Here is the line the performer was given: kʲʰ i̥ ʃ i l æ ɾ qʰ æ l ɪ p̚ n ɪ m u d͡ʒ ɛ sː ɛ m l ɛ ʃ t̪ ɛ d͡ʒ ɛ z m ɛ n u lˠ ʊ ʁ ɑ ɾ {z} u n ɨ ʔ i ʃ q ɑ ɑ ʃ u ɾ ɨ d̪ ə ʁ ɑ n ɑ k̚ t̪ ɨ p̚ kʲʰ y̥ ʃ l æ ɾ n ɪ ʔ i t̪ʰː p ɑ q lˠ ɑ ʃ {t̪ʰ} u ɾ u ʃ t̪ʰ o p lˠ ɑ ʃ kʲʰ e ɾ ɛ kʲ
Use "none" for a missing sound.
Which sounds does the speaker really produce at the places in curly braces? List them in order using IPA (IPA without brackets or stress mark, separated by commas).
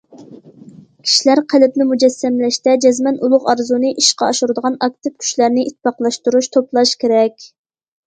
z, t̪